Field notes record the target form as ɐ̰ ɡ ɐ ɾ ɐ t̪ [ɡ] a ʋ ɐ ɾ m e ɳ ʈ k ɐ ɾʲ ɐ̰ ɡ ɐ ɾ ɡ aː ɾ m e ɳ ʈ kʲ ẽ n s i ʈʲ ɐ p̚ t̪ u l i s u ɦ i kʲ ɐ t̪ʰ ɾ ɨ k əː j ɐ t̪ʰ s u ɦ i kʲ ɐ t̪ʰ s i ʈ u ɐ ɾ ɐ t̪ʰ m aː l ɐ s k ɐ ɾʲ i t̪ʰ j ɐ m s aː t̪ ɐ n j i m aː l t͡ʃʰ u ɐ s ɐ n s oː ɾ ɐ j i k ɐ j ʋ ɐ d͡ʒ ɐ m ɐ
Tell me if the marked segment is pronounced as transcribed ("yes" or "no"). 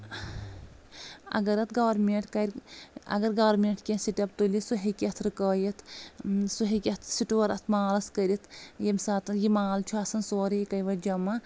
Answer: yes